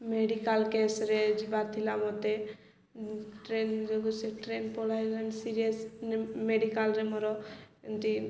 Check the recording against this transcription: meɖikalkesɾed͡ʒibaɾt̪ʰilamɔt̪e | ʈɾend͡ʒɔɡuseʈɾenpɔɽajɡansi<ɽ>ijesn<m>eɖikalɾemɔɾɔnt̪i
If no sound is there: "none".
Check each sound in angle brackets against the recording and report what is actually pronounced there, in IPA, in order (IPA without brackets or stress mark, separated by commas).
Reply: ɾ, m